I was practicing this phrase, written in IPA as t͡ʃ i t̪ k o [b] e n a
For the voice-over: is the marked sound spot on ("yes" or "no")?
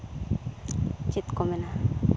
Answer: no